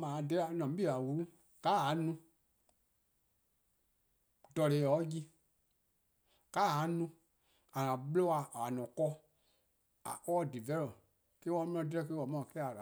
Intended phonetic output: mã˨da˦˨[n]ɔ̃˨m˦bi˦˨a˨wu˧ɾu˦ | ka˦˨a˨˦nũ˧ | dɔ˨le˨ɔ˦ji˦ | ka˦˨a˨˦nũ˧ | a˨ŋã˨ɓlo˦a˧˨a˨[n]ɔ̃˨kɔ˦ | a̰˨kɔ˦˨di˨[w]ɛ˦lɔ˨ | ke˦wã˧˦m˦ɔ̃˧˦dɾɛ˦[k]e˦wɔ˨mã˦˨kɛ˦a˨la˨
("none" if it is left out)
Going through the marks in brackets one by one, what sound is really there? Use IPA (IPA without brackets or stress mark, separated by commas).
n, n, v, k